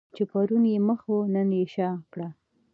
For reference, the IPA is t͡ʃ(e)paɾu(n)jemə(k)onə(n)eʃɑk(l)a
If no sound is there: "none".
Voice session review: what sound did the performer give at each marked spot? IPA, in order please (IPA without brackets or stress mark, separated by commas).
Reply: e, n, x, n, ɽ